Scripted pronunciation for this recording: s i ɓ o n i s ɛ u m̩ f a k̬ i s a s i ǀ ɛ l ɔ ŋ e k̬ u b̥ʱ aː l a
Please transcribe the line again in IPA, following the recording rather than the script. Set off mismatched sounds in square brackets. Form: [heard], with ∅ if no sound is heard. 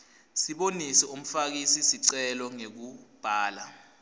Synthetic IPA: s i ɓ o n i s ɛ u m̩ f a k̬ i s [i] s i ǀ ɛ l ɔ ŋ e k̬ u b̥ʱ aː l a